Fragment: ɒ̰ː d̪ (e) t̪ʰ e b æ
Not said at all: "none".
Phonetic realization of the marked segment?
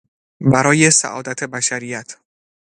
æ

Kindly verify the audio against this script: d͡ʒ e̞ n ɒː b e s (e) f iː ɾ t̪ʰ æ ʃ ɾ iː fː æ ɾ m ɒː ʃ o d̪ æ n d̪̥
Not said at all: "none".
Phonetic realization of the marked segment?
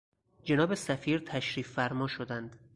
æ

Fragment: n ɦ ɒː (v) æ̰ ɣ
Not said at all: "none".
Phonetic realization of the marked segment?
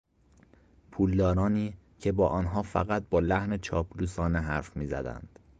f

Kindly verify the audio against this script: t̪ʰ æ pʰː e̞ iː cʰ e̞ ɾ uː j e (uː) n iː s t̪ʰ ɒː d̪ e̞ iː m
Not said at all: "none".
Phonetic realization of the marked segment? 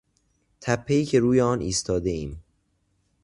ɒː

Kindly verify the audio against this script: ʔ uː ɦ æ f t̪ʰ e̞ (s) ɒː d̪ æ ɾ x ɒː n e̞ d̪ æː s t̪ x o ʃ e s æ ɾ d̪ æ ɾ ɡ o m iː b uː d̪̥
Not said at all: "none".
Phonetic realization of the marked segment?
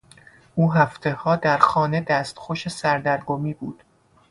h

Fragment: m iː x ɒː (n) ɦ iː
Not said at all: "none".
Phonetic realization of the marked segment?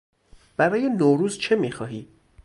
none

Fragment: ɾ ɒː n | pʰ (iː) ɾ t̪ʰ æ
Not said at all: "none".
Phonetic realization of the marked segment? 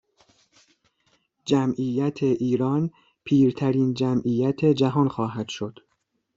iː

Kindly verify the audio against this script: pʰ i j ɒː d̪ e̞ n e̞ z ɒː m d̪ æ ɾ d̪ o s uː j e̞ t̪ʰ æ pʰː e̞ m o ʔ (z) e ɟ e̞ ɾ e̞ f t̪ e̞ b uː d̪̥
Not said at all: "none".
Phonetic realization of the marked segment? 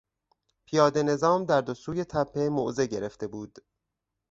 z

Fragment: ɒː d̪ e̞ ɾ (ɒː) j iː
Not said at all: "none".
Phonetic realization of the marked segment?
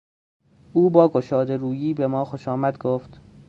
uː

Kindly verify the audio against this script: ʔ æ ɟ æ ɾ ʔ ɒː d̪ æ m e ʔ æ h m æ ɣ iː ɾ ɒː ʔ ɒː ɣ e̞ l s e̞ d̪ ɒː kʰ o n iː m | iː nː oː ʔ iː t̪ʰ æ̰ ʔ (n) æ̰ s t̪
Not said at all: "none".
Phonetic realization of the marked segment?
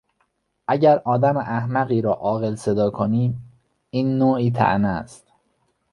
n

